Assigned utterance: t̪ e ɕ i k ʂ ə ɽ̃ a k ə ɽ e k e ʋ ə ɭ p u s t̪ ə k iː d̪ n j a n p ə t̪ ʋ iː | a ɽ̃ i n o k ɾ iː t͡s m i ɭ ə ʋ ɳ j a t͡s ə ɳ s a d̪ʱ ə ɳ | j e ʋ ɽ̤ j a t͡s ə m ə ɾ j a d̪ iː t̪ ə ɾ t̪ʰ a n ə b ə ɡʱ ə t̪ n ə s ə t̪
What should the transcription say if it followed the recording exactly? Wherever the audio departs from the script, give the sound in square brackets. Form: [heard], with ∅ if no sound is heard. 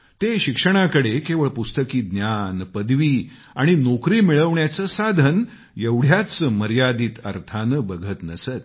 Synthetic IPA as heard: t̪ e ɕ i k ʂ ə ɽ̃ a k ə ɽ e k e ʋ ə ɭ p u s t̪ ə k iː d̪ n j a n p ə [d̪] ʋ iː | a ɽ̃ i n o k ɾ iː [∅] m i ɭ ə ʋ ɳ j a t͡s ə [∅] s a d̪ʱ ə [n] | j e ʋ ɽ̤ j a t͡s ə m ə ɾ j a d̪ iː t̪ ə ɾ t̪ʰ a n ə b ə ɡʱ ə t̪ n ə s ə t̪